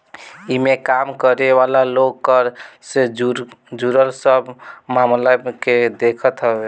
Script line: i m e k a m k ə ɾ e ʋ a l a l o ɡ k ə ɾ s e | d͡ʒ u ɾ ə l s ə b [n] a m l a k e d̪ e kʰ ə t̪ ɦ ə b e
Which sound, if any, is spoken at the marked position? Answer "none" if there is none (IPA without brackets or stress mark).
m